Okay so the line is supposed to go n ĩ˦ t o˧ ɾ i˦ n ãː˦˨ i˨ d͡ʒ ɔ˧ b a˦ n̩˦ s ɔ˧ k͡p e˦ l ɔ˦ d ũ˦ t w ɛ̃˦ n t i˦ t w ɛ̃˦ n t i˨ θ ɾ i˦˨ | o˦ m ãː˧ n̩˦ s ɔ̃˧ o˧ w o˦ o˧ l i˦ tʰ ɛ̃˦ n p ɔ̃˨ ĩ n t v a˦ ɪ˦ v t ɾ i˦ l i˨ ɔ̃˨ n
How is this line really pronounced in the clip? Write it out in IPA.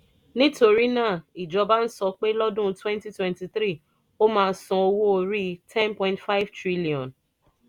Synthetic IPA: n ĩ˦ t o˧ ɾ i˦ n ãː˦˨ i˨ d͡ʒ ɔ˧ b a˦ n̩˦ s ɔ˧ k͡p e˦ l ɔ˦ d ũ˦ t w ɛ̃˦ n t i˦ t w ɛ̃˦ n t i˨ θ ɾ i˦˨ | o˦ m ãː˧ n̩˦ s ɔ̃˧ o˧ w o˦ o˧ ɾ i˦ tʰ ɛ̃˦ n p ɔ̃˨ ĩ n t f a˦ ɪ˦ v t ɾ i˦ l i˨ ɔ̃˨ n